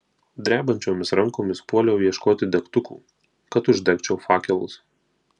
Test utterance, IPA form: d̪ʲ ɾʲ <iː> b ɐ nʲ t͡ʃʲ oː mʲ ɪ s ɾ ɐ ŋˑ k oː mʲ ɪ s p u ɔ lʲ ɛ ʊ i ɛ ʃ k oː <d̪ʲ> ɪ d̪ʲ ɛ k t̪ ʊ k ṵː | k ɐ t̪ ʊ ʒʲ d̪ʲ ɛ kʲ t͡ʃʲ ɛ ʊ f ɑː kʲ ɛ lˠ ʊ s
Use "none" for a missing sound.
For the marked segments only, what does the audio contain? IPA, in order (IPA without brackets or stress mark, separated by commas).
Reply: æː, t̪ʲ